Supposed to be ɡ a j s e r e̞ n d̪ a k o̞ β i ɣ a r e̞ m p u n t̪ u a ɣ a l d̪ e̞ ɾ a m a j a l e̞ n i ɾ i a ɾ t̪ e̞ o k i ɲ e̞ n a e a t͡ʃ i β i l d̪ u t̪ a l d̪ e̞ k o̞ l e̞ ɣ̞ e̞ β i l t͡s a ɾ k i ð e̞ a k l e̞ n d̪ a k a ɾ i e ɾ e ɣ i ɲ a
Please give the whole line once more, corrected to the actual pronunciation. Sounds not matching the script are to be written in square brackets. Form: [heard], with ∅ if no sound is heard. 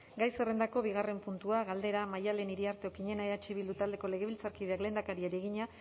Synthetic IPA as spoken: ɡ a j s e r e̞ n d̪ a k o̞ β i ɣ a r e̞ m p u n t̪ u a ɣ a l d̪ e̞ ɾ a m a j a l e̞ n i ɾ i a ɾ t̪ e̞ o k i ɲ e̞ n a e a t͡ʃ i β i l d̪ u t̪ a l d̪ e̞ k o̞ l e̞ ɣ̞ e̞ β i l t͡s a ɾ k i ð e̞ a k l e̞ n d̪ a k a ɾ i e ɾ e ɣ i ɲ a